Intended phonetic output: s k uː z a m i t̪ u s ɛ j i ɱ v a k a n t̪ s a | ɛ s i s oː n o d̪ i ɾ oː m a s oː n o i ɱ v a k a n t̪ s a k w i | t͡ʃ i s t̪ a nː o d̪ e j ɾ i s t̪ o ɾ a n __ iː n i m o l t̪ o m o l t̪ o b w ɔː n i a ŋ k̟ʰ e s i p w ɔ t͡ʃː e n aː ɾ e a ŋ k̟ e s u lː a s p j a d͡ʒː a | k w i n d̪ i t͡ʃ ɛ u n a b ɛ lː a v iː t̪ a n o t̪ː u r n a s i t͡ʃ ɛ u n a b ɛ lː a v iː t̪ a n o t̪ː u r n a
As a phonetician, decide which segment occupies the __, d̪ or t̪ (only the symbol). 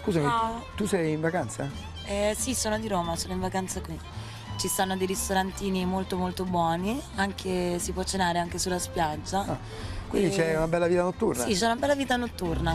t̪